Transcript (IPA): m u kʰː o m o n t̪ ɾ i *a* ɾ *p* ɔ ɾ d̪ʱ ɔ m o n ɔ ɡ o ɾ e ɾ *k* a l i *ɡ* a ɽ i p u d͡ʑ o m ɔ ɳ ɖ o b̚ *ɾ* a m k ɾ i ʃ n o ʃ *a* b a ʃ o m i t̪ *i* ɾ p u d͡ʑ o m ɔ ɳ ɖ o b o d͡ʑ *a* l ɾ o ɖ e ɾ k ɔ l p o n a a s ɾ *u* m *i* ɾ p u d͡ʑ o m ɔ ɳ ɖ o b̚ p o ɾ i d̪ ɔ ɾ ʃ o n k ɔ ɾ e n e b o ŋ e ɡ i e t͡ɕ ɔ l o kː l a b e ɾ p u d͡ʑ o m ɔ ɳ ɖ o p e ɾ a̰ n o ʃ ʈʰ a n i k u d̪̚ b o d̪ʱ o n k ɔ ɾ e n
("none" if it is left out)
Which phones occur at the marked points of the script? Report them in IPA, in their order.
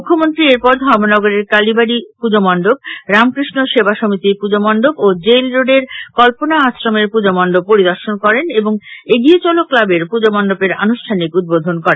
e, p, k, b, ɾ, e, i, e, o, e

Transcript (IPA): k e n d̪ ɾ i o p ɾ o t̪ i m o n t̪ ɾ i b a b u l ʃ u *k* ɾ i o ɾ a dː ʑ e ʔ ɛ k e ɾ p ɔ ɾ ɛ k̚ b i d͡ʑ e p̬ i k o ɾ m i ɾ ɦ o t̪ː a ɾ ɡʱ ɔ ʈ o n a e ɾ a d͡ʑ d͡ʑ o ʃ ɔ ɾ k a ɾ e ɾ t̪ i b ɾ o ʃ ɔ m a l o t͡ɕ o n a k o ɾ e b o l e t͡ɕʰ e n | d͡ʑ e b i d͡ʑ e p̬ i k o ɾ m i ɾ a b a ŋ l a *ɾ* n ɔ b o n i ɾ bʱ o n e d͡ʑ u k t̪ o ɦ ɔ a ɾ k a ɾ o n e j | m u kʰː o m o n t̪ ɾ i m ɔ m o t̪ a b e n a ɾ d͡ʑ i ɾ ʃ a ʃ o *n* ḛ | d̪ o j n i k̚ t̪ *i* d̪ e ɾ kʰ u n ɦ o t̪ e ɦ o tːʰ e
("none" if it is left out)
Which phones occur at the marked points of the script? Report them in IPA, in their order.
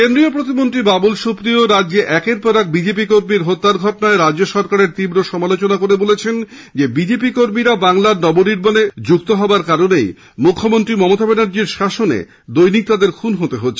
p, ɾ, n, a

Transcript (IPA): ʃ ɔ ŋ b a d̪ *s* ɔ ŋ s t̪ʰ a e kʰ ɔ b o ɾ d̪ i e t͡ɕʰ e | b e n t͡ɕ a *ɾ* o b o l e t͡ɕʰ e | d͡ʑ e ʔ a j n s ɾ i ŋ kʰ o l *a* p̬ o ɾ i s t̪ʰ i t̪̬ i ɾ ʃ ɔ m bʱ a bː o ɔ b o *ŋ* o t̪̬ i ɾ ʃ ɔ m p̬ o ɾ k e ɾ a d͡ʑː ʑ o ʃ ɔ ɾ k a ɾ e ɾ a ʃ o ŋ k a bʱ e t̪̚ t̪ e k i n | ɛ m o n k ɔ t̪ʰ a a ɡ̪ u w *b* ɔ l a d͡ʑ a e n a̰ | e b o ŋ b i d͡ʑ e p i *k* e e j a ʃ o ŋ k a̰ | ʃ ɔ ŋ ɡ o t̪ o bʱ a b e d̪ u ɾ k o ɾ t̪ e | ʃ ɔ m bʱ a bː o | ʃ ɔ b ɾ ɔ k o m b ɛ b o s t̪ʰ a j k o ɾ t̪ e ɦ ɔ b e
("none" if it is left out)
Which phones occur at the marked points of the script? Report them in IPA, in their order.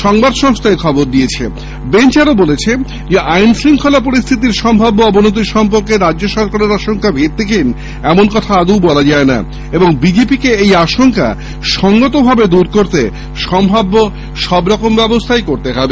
ʃ, ɾ, a, n, b, k

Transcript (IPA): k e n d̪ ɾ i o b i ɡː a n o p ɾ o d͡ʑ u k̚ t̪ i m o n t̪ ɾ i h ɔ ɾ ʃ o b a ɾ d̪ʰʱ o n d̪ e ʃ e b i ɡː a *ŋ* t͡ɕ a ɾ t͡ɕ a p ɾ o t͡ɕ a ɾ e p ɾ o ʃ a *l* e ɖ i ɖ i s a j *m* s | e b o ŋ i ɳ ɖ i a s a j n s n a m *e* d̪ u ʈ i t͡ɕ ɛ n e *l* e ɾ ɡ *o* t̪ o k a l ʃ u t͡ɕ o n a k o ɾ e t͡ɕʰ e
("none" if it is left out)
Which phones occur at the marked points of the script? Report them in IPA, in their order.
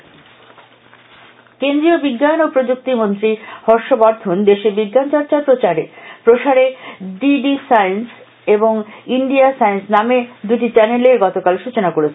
n, ɾ, n, e, l, ɔ

